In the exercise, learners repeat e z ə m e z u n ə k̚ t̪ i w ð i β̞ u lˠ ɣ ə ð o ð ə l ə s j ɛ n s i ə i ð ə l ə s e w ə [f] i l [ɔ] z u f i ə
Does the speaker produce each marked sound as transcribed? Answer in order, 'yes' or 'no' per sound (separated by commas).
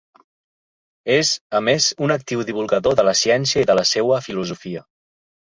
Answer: yes, no